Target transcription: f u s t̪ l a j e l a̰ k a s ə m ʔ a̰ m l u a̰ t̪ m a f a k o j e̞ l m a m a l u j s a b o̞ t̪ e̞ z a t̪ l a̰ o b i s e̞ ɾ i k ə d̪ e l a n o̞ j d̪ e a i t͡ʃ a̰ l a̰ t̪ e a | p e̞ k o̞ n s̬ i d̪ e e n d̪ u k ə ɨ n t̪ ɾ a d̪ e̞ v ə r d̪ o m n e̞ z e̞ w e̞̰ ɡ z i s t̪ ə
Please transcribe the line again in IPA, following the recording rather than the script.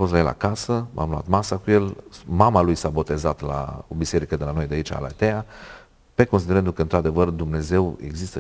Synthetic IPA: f o s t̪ l a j e l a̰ k a s ə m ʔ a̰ m l u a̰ t̪ m a s a k u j e̞ l m a m a l u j s a b o̞ t̪ e̞ z a t̪ l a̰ o b i s e̞ ɾ i k ə d̪ e l a n o̞ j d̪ e a i t͡ʃ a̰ l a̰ t̪ e a | p e̞ k o̞ n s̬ i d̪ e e n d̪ u k ə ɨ n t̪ ɾ a d̪ e̞ v ə r d̪ u m n e̞ z e̞ w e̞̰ ɡ z i s t̪ ə